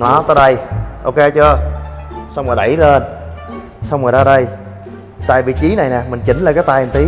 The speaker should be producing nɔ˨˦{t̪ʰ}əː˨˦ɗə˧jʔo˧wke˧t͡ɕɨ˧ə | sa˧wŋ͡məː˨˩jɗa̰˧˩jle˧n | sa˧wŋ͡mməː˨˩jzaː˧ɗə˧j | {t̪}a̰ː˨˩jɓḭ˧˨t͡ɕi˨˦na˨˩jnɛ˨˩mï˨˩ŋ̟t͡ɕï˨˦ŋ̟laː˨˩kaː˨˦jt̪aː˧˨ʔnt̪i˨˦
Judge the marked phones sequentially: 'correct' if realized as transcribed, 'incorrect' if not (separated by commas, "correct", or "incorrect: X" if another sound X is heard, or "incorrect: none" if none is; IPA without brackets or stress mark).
incorrect: t̪, correct